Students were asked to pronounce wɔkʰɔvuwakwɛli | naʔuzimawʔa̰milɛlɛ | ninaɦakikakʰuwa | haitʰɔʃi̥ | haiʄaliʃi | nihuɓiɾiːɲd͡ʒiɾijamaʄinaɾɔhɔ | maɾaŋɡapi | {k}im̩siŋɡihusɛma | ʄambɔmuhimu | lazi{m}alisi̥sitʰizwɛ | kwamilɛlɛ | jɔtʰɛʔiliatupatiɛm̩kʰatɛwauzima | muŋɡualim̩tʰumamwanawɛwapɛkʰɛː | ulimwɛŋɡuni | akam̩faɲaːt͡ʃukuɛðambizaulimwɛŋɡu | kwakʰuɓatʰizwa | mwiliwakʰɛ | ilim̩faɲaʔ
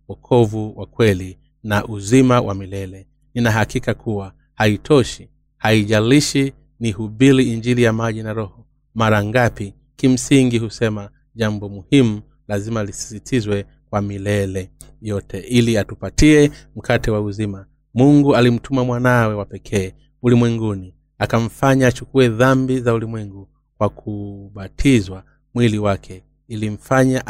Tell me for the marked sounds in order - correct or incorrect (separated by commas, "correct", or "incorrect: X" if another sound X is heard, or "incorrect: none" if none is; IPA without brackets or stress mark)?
correct, correct